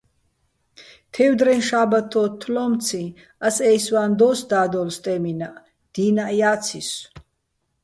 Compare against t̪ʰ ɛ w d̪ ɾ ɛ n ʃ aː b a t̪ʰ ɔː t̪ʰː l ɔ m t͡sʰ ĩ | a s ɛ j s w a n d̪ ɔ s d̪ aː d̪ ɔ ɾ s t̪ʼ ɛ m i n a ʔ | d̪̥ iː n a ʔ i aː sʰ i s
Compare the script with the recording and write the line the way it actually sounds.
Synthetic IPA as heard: t̪ʰ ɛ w d̪ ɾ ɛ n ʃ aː b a t̪ʰ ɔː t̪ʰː l ɔ m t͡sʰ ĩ | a s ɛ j s w a n d̪ ɔ s d̪ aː d̪ ɔ l s t̪ʼ ɛ m i n a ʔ | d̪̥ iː n a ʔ j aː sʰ i s